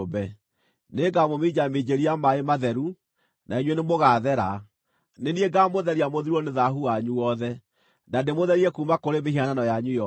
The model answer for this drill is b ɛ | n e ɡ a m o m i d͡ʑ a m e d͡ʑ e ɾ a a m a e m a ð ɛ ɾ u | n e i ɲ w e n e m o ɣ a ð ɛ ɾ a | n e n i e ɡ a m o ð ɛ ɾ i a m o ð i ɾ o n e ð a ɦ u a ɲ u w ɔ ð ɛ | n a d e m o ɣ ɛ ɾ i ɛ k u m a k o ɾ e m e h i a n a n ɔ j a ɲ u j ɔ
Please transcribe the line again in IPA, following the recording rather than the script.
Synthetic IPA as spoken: b ɛ | n e ɡ a m o m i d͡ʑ a m e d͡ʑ e ɾ i a m a e m a ð ɛ ɾ u | n a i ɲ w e n e m o ɣ a ð ɛ ɾ a | n e n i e ɡ a m o ð ɛ ɾ i a m o ð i ɾ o n e ð a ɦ u a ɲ u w ɔ ð ɛ | n a d e m o ð ɛ ɾ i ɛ k u m a k o ɾ e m e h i a n a n ɔ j a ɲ u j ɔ